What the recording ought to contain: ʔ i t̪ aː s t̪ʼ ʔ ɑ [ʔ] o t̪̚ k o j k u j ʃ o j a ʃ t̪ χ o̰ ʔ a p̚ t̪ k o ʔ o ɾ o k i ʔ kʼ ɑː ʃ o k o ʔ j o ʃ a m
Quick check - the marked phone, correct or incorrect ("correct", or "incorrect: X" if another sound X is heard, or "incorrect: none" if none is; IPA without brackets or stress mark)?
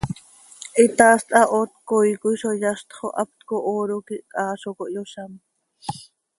correct